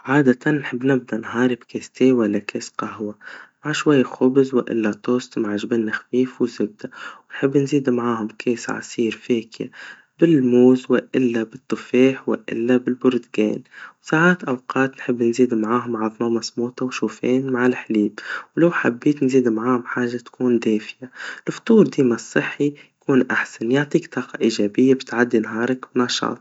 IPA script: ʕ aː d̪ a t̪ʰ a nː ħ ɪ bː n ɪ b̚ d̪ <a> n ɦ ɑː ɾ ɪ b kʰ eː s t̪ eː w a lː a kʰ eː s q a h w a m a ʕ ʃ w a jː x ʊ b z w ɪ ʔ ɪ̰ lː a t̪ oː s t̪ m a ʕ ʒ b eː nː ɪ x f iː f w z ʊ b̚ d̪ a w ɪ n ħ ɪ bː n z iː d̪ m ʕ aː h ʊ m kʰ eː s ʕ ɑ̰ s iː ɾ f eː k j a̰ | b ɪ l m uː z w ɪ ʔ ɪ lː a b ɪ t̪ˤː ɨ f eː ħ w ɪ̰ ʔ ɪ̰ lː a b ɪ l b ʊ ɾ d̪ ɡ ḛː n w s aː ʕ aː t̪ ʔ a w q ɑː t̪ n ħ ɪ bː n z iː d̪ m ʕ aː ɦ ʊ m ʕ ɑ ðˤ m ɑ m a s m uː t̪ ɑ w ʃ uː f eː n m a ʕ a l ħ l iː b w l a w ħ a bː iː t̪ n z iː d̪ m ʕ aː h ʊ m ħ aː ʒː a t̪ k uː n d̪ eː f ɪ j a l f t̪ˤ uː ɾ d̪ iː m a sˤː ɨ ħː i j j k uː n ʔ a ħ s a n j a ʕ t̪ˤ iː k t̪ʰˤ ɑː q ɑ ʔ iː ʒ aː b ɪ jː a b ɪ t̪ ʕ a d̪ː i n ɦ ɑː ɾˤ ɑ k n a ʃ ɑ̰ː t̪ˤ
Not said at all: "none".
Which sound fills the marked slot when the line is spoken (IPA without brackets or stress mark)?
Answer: a